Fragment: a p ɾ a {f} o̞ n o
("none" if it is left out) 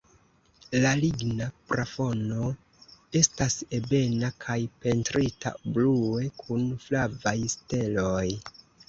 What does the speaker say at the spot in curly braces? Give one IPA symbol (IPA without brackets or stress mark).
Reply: f